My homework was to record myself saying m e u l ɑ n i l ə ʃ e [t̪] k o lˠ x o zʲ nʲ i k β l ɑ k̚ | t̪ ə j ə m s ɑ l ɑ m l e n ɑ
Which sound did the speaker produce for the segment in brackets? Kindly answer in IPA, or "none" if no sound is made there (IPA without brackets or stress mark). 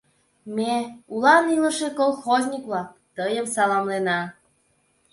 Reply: none